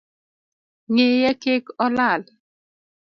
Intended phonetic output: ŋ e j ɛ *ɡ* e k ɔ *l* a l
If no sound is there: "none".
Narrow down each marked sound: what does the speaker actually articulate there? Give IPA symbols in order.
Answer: k, l

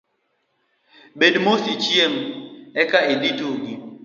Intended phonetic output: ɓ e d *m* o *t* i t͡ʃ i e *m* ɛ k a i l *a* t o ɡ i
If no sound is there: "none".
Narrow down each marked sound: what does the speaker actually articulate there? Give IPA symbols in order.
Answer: m, s, m, i

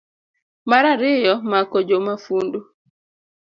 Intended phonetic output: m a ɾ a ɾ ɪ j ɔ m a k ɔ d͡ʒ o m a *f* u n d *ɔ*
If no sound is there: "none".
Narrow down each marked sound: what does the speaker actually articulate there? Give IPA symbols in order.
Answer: f, u

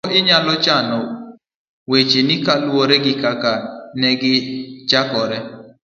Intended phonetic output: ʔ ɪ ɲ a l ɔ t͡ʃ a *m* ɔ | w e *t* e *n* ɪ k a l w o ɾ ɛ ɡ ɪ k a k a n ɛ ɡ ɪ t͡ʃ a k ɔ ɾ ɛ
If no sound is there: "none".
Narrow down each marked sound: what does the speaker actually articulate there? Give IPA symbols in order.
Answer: n, t͡ʃ, n

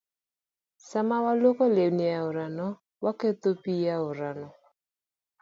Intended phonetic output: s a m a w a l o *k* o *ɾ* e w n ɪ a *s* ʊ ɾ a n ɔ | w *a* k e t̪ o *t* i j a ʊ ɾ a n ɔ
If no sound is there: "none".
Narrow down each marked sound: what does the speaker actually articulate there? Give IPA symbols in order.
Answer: k, l, none, a, p

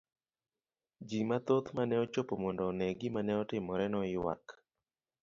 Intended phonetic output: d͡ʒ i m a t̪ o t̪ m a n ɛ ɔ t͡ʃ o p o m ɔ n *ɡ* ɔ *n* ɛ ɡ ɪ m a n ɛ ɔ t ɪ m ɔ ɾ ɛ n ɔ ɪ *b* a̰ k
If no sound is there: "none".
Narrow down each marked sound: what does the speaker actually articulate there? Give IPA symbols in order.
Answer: d, n, w

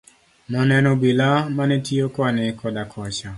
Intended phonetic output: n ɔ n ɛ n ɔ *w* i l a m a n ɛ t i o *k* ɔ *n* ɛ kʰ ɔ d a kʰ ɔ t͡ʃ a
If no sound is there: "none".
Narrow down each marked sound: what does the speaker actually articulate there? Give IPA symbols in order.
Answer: b, k, n

